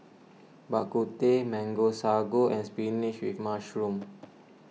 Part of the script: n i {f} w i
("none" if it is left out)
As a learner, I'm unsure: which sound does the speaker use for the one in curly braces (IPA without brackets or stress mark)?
ʃ